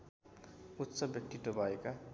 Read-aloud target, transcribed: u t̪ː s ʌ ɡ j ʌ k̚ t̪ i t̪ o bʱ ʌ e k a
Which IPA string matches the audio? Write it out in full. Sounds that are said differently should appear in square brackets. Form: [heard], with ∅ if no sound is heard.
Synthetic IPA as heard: u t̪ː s ʌ [b] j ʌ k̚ t̪ i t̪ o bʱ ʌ e k a

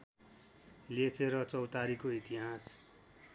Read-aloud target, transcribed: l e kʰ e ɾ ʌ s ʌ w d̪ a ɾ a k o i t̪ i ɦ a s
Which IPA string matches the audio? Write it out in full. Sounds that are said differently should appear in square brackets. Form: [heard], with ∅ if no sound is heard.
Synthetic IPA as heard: l e kʰ e ɾ ʌ [t͡s] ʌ w [t̪] a ɾ [i] k o i t̪ i ɦ a s

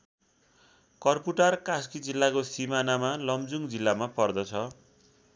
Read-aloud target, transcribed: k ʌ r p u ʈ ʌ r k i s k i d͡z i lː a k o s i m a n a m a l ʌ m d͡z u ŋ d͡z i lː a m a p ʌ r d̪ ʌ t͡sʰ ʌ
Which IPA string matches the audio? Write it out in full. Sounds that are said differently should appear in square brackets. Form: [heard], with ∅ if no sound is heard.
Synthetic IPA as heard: k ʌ r p u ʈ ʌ r k [a] s k i d͡z i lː a k o s i m a n a m a l ʌ m d͡z u ŋ d͡z i lː a m a p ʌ r d̪ ʌ t͡sʰ ʌ

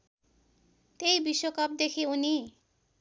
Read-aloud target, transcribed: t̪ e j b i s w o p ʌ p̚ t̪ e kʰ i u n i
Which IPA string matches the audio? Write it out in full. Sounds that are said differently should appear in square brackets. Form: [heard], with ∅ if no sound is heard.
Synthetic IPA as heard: t̪ e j b i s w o [k] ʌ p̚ [d̪] e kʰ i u n i

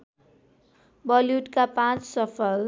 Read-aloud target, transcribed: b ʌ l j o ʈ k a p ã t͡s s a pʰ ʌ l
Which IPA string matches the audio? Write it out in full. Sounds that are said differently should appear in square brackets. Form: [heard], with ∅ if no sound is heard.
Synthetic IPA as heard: b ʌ l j [u] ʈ k a p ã t͡s s [ʌ] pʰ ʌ l

